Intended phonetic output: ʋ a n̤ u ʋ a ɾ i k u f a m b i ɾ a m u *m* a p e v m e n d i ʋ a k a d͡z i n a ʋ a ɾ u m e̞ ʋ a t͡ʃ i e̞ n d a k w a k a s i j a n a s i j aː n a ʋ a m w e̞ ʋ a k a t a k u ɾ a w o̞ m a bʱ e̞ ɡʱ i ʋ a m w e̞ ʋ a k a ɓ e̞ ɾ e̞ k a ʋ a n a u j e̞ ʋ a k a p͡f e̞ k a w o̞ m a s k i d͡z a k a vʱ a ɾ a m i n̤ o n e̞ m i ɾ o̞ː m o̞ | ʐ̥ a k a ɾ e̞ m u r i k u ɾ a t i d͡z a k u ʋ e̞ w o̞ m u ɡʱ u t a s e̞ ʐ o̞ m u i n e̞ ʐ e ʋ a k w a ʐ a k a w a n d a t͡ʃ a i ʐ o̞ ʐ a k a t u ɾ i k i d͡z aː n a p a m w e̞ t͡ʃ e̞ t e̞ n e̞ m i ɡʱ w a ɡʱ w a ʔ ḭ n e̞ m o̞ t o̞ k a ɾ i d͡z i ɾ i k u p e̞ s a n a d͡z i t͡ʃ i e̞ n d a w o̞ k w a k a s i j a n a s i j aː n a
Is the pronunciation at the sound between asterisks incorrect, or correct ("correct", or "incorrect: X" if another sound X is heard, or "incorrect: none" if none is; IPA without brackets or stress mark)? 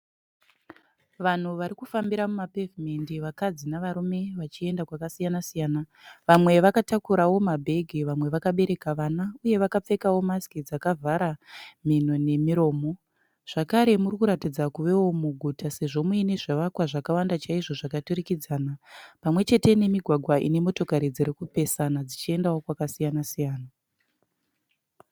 correct